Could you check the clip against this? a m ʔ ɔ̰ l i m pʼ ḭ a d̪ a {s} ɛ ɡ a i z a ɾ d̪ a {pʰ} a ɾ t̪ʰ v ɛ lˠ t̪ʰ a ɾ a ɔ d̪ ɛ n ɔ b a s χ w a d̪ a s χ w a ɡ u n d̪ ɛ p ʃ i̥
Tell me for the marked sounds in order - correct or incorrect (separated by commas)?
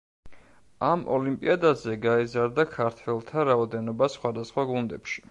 incorrect, incorrect